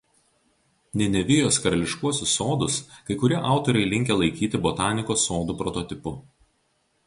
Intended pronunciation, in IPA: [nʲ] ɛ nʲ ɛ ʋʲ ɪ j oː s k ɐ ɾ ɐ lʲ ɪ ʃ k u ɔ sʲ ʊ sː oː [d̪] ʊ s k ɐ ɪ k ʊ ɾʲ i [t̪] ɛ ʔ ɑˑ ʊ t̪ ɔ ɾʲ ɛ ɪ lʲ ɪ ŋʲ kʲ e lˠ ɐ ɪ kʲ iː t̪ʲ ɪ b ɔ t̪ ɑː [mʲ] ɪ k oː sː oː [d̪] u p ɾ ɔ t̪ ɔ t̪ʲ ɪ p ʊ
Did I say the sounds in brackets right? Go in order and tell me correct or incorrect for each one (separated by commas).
correct, correct, incorrect, incorrect, correct